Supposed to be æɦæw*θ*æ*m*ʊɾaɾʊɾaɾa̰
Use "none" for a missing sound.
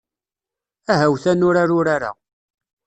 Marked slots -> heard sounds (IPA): θ, n

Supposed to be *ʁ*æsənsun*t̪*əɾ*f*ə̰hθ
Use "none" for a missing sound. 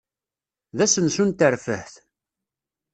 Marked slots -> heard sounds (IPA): ð, t̪, f

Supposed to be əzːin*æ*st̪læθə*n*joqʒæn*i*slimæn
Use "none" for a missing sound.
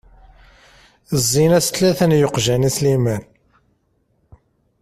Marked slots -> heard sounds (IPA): æ, n, i

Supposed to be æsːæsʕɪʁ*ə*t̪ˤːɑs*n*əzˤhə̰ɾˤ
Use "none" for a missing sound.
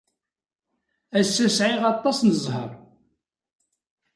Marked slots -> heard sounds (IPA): ɑ, n

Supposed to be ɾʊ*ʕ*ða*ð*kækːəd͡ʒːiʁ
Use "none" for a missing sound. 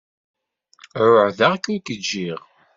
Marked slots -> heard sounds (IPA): ʕ, ʁ

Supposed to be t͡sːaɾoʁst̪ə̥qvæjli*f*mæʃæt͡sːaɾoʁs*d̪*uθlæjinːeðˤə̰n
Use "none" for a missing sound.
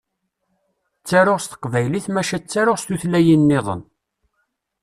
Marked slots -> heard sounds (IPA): θ, t̪

